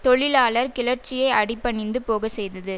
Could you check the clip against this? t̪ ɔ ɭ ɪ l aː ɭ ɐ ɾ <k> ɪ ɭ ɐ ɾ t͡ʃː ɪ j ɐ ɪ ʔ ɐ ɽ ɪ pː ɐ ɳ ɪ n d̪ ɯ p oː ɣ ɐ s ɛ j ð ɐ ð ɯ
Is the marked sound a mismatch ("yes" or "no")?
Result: no